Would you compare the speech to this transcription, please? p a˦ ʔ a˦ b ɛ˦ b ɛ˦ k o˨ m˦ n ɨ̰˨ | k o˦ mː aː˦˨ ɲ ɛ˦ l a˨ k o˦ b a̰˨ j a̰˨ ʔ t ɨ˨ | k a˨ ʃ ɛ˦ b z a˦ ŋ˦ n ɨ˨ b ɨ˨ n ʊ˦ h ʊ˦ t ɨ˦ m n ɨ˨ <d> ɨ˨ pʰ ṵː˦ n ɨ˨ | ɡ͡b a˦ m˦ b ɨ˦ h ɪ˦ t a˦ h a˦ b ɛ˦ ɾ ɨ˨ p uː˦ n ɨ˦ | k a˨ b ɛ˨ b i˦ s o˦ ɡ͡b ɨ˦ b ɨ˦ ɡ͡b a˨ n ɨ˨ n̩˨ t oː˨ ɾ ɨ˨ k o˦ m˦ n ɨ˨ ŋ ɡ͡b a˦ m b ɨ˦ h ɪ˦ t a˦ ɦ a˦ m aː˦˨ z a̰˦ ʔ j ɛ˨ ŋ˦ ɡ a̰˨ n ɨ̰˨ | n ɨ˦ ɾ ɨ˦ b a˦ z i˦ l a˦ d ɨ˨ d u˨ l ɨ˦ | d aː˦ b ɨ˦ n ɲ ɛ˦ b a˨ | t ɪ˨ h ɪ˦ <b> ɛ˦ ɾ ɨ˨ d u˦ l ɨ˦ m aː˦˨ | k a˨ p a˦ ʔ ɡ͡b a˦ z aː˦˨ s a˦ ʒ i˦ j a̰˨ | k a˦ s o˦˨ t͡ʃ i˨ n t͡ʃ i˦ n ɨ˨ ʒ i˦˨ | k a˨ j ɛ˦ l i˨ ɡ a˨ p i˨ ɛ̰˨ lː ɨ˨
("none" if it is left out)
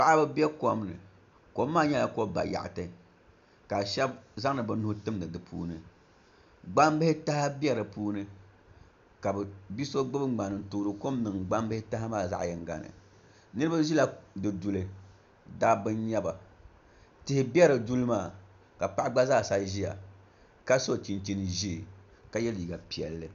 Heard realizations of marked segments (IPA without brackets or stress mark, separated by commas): d, b